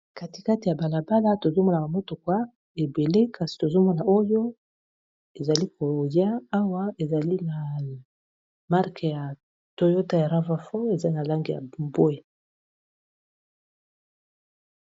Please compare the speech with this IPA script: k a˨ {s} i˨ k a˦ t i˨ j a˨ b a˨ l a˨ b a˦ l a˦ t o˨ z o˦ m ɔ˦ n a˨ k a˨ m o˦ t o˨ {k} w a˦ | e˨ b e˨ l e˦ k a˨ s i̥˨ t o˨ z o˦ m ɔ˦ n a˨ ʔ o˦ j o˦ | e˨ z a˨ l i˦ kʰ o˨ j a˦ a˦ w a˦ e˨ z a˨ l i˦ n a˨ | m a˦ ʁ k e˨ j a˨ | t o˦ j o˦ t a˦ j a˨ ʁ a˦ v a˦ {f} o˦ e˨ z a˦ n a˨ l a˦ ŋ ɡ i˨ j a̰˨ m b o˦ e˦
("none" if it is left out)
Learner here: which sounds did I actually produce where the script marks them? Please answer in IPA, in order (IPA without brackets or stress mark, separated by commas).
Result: t, k, f